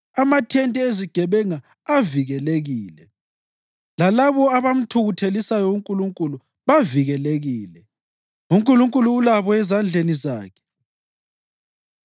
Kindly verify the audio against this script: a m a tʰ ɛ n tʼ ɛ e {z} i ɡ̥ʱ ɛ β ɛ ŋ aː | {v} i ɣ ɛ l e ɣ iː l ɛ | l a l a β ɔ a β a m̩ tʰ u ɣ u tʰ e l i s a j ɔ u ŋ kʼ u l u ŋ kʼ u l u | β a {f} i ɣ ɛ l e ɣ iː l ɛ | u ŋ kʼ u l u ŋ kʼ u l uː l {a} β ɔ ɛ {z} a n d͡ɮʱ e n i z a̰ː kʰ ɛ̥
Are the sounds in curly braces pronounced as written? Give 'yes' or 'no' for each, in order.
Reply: yes, yes, no, yes, yes

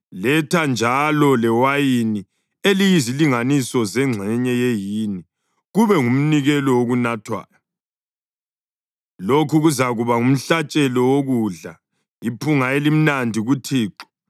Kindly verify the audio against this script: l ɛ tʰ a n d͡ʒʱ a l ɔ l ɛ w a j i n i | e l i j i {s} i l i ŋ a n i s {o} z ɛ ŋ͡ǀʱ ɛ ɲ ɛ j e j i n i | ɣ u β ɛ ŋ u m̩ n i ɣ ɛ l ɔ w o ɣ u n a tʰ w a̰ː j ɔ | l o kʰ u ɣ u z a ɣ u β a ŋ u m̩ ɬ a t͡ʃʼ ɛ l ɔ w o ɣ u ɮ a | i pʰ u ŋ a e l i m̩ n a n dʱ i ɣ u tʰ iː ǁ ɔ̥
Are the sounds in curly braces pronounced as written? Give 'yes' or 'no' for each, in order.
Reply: no, no

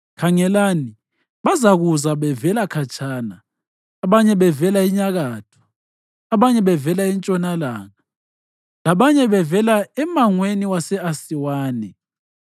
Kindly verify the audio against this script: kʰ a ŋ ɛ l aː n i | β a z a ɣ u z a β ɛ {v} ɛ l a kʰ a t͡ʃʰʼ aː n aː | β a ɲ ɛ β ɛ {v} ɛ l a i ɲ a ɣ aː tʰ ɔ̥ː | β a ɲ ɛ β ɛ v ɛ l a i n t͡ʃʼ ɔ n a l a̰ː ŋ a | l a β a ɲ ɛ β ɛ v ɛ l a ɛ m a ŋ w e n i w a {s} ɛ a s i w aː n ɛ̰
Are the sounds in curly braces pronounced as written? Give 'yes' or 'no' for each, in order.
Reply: yes, yes, yes

